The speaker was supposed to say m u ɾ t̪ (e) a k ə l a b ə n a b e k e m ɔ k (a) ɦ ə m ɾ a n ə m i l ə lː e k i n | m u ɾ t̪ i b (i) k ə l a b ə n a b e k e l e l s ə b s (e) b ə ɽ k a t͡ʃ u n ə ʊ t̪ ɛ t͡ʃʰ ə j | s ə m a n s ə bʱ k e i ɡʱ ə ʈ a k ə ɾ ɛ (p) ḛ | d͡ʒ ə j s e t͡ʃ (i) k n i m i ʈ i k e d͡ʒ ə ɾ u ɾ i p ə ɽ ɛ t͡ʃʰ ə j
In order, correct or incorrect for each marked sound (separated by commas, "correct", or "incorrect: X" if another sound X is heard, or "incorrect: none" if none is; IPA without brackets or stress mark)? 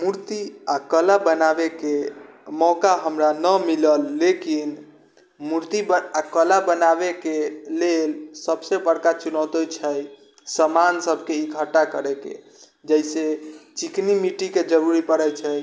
incorrect: i, correct, incorrect: a, correct, incorrect: k, correct